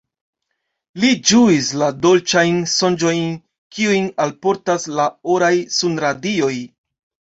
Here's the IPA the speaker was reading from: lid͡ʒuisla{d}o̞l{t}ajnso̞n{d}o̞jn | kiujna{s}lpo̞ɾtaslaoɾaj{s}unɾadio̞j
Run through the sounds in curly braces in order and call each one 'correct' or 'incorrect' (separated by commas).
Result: correct, incorrect, incorrect, incorrect, correct